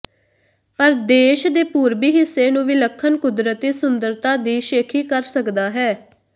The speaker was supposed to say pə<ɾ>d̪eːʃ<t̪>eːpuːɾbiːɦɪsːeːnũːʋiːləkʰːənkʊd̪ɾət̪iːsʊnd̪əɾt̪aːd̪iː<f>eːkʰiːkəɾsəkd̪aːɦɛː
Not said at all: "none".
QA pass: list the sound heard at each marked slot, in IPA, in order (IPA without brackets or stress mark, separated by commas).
ɾ, d̪, ʃ